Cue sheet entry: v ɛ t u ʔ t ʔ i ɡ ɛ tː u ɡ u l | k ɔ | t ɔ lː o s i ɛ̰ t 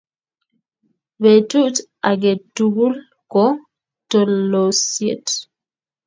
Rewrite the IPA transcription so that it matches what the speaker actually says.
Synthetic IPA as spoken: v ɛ t u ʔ t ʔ a ɡ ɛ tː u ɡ u l | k ɔ | t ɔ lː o s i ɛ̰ t